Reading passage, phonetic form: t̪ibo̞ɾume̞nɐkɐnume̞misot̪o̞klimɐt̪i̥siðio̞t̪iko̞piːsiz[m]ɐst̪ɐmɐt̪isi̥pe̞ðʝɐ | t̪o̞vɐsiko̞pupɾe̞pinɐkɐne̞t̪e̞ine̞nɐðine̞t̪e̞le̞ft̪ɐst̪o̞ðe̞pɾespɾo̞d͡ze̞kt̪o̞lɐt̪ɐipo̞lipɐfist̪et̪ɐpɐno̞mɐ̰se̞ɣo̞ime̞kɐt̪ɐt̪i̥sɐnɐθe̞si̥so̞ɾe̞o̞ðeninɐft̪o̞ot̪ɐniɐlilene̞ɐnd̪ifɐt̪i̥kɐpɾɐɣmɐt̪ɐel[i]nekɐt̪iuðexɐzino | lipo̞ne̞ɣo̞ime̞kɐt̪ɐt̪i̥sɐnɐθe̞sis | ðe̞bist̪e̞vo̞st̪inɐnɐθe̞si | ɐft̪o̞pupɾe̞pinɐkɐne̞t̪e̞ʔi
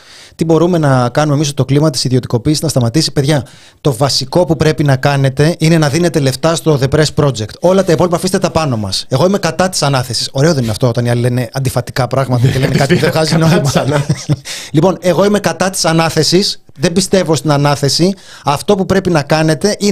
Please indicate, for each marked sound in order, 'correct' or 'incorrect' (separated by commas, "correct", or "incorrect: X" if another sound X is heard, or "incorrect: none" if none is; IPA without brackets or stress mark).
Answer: incorrect: n, incorrect: e